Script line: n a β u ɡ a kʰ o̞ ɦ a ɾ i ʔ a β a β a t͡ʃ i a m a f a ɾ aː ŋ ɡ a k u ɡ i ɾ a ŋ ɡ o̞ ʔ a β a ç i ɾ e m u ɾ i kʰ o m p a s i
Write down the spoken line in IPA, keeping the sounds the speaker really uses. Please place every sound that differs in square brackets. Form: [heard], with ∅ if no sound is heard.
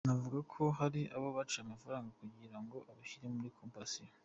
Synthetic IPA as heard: n a [v] u ɡ a kʰ o̞ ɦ a ɾ i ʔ a β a β a t͡ʃ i a m a f a ɾ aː ŋ ɡ a k u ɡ i ɾ a ŋ ɡ o̞ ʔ a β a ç i ɾ e m u ɾ i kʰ o m p a s i

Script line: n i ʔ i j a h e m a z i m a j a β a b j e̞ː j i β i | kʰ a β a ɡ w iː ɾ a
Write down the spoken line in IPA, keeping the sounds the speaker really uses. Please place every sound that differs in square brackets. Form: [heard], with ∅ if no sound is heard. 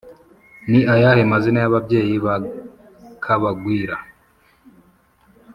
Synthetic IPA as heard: n i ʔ [a] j a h e m a z i [n] a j a β a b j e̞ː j i β [a] | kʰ a β a ɡ w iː ɾ a

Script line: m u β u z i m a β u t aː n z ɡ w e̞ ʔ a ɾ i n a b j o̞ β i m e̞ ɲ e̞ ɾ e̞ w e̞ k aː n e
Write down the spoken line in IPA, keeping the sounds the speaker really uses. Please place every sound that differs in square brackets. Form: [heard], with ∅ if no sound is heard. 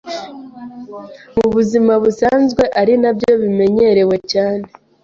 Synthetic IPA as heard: m u β u z i m a β u [s] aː n z ɡ w e̞ ʔ a ɾ i n a b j o̞ β i m e̞ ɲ e̞ ɾ e̞ w e̞ [c] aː n e

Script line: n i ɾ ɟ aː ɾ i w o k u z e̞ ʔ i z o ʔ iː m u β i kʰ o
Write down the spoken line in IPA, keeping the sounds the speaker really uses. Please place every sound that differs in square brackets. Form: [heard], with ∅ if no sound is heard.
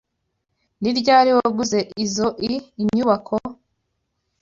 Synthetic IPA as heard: n i ɾ ɟ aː ɾ i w o [ɡ] u z e̞ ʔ i z o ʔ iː [ɲ] u β [a] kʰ o

